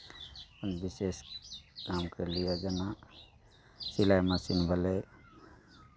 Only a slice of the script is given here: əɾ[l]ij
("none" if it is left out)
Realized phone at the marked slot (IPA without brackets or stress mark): l